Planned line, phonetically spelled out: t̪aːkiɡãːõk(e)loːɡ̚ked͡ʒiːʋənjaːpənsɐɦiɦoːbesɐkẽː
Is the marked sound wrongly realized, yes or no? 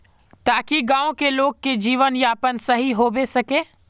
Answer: no